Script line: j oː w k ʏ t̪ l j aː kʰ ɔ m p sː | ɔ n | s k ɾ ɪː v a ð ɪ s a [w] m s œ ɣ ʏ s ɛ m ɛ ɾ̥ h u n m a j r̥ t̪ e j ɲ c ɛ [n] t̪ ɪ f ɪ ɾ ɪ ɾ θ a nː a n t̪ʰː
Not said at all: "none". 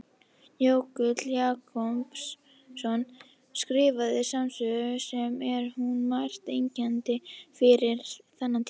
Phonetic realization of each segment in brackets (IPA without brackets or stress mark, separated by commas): none, n